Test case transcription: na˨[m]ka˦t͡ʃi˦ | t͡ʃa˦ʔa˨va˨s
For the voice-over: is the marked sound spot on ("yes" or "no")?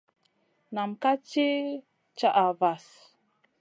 yes